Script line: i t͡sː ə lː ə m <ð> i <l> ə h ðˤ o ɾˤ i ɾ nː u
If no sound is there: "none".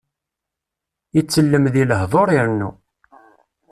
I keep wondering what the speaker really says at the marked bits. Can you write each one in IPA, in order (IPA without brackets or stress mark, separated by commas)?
ð, l